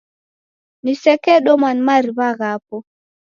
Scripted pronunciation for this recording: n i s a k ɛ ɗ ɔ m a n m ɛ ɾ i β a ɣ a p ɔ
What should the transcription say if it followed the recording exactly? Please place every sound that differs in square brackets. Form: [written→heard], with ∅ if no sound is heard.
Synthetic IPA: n i s [a→ɛ] k ɛ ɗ ɔ m a n m [ɛ→a] ɾ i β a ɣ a p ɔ